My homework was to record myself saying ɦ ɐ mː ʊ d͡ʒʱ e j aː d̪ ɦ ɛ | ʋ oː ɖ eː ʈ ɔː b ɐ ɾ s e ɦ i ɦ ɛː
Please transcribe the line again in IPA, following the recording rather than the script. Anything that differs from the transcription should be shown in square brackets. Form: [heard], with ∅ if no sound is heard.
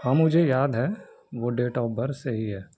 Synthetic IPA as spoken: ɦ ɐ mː ʊ d͡ʒʱ e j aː d̪ ɦ ɛ | ʋ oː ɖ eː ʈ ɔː b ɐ ɾ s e ɦ i ɦ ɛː